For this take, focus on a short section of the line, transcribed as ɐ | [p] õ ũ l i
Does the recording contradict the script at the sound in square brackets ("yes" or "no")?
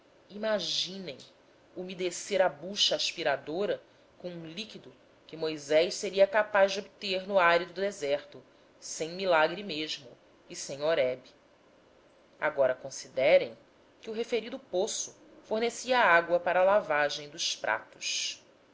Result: yes